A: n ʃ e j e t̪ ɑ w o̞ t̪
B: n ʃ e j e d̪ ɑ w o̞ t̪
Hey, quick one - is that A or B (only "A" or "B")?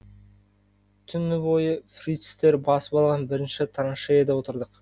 B